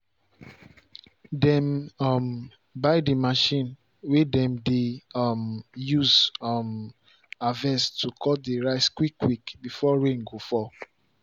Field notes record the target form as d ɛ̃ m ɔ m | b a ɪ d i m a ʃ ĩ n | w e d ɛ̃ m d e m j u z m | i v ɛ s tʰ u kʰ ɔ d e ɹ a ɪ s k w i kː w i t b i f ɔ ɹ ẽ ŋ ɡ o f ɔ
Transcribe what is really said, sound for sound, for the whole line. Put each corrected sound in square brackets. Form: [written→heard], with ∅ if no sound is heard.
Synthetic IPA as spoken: d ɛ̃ m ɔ m | b a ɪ d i m a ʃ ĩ n | w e d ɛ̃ m d e m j u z m | [i→a] v ɛ s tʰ u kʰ ɔ d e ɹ a ɪ s k w i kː w i [t→k] b i f ɔ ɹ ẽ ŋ ɡ o f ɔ